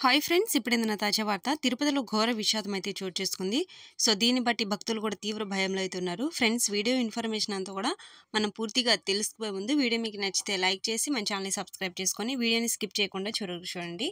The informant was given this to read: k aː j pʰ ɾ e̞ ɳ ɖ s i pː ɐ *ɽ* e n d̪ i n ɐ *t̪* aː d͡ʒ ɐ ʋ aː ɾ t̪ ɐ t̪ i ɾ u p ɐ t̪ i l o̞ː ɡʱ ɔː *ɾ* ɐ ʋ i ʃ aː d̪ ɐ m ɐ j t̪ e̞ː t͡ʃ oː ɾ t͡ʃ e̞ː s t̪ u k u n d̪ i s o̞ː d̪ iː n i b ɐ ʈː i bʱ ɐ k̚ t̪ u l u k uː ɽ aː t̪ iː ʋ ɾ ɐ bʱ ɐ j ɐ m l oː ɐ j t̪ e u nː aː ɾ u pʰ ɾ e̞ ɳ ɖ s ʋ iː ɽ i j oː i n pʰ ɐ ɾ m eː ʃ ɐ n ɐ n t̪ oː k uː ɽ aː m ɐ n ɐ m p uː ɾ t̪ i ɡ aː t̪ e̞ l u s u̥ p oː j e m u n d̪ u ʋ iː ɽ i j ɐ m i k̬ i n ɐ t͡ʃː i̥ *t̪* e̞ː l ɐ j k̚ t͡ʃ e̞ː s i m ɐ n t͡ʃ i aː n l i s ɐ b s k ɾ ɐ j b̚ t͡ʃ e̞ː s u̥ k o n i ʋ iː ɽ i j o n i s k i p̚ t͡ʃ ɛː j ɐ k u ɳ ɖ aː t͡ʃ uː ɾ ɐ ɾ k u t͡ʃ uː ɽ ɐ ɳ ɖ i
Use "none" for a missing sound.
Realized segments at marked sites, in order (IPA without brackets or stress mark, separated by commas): ɽ, t̪, ɾ, t̪